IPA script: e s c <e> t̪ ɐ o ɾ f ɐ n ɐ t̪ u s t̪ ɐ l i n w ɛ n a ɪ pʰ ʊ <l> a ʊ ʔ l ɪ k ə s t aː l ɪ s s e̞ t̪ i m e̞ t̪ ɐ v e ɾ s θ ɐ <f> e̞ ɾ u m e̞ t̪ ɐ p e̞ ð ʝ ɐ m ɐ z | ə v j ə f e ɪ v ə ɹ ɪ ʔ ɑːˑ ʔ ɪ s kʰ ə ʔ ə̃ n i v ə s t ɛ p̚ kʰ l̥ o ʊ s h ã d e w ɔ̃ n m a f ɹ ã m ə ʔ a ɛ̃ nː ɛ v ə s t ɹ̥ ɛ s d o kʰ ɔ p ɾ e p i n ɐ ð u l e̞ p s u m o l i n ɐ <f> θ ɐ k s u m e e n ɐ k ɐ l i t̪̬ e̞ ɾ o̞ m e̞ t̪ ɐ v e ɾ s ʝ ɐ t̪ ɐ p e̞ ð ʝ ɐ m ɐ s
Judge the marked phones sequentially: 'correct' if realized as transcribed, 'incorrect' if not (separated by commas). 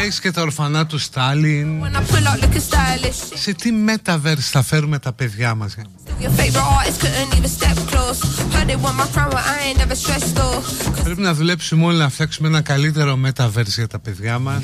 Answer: correct, correct, correct, correct